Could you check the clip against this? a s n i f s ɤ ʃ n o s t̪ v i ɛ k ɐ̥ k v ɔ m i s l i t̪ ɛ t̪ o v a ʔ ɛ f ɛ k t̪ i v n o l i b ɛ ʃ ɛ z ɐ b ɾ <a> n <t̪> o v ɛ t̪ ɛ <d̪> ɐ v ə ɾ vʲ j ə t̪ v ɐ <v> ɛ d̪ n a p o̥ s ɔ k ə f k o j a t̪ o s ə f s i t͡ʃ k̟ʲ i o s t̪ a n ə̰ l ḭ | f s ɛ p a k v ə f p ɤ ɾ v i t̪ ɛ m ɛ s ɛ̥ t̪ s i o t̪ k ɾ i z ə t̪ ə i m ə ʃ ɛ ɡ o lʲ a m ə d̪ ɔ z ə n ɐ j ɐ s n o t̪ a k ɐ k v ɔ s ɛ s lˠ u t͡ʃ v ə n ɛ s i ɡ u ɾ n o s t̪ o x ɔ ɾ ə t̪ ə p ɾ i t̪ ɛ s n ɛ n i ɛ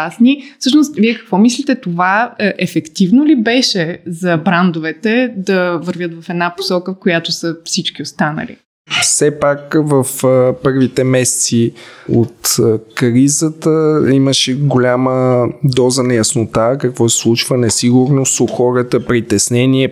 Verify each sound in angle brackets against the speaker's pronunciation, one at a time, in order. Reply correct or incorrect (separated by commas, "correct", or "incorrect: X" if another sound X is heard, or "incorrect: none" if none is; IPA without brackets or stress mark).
correct, incorrect: d̪, correct, incorrect: f